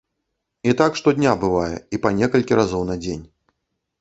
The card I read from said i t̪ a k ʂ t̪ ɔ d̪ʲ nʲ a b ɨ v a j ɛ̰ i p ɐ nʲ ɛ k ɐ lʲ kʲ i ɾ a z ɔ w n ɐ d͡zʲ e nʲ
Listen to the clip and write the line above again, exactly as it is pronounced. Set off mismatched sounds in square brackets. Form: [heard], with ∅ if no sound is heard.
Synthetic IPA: i t̪ a k ʂ t̪ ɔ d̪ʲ nʲ a b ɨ v a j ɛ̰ i p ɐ nʲ ɛ k ɐ lʲ kʲ i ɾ a z ɔ w n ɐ d͡zʲ e nʲ